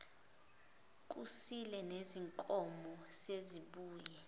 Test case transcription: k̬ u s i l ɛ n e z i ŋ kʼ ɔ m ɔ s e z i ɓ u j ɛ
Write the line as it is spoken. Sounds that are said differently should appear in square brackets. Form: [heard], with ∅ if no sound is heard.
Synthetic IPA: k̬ u s i l ɛ n e z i ŋ kʼ ɔ m ɔ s e z i ɓ [uː] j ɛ